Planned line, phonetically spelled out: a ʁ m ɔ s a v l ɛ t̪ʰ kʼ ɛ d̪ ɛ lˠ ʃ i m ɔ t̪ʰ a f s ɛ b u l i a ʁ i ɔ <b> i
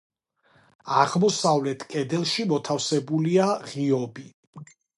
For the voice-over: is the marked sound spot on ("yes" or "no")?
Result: yes